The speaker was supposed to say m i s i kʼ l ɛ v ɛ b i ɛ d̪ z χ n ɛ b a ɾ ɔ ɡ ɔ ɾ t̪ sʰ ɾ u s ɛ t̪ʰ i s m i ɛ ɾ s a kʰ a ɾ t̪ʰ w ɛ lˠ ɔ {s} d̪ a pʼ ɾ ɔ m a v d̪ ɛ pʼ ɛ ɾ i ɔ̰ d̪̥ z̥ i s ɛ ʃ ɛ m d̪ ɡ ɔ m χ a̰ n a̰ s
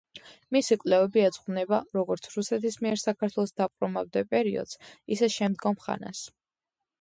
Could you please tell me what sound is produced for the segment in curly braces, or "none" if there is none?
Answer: s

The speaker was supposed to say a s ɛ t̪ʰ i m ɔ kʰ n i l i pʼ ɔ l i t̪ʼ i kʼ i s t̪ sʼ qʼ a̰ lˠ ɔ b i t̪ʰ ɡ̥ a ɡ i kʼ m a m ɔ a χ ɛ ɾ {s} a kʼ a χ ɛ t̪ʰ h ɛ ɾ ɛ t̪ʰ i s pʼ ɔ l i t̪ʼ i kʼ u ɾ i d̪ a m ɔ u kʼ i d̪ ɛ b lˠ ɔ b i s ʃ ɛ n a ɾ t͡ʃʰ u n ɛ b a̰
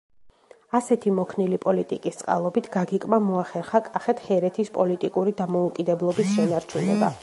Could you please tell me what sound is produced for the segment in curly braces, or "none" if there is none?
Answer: χ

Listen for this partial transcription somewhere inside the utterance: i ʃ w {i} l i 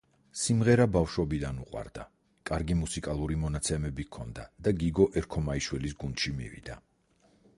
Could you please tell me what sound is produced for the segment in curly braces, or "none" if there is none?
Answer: ɛ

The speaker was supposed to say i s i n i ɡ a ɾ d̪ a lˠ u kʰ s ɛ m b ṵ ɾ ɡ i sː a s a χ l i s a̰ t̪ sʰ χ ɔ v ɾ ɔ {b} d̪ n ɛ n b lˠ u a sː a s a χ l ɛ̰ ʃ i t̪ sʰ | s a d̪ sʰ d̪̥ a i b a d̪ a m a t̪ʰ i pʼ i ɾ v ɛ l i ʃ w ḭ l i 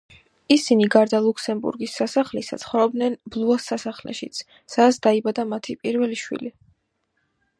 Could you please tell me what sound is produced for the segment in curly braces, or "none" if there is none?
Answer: b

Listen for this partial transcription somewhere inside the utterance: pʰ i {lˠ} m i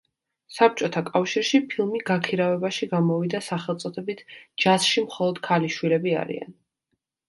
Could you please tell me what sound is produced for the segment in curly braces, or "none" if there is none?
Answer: lˠ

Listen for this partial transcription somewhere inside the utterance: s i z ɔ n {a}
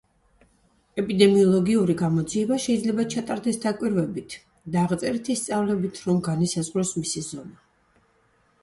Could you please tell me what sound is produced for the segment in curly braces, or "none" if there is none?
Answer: a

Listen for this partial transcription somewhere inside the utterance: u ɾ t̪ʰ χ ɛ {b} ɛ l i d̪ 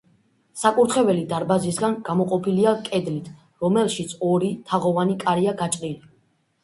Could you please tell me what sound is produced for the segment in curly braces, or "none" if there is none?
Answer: v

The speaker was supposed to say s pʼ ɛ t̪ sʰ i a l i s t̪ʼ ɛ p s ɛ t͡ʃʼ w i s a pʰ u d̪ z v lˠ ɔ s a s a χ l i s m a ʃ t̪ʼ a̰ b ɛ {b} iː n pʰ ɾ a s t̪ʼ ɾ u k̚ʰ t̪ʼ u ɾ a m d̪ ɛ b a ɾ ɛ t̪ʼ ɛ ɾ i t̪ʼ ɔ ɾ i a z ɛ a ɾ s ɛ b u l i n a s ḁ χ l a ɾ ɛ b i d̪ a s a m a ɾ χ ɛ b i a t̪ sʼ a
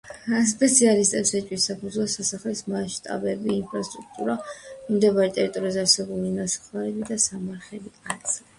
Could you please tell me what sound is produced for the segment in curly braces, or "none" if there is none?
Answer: b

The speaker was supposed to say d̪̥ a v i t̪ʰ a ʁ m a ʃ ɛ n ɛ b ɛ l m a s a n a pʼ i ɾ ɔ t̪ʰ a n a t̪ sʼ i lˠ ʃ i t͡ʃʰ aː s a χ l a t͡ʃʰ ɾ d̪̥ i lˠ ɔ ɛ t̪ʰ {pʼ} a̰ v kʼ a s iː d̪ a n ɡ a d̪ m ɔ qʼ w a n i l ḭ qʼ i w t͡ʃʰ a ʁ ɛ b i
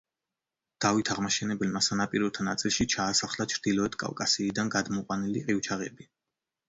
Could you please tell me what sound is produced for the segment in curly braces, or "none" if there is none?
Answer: kʼ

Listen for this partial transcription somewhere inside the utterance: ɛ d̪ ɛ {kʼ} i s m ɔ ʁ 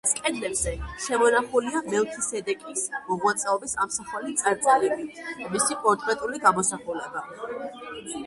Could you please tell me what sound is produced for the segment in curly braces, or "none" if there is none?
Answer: kʼ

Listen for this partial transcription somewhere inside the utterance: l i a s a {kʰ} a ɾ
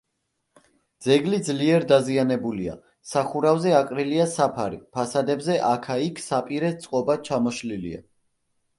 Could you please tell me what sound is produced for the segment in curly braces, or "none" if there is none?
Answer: pʰ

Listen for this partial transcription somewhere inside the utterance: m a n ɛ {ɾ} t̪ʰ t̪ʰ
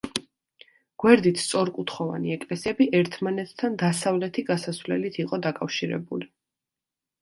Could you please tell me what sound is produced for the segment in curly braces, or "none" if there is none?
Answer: none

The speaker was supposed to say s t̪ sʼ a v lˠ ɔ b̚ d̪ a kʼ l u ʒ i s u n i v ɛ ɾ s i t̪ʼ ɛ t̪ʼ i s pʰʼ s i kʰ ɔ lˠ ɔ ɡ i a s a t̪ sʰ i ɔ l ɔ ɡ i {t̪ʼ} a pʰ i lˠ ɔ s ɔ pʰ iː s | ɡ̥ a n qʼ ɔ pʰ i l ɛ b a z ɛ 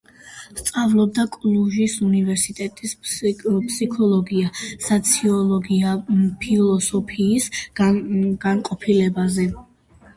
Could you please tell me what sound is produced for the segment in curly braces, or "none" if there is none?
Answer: none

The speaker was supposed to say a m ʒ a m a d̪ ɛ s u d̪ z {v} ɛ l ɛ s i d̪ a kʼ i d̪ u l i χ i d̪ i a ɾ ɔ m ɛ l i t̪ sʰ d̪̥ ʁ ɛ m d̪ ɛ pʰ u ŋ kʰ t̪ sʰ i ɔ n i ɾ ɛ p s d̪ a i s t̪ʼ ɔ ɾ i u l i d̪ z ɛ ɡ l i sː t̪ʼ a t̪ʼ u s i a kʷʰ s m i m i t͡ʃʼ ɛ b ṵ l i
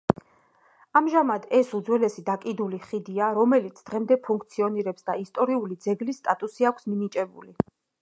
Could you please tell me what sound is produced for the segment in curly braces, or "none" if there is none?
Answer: w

